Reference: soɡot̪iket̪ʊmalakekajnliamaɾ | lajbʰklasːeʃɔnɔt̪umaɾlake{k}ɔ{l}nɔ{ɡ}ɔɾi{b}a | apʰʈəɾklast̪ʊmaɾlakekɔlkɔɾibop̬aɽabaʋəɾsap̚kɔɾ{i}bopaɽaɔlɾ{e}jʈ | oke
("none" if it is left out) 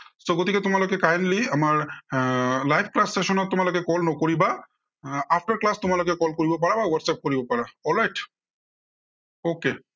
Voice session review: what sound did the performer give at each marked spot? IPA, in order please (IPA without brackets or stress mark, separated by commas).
k, l, k, b, i, a